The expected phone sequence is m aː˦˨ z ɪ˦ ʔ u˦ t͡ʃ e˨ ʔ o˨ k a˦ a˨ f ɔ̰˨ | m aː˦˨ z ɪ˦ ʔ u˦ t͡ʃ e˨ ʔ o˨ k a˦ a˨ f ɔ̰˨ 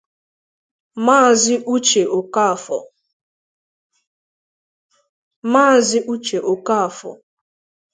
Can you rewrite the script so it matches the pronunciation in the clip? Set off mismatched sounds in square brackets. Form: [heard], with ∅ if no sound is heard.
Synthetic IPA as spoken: m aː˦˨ z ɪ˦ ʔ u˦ t͡ʃ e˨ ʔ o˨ k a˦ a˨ f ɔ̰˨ | m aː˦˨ z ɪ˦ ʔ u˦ t͡ʃ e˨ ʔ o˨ k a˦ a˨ f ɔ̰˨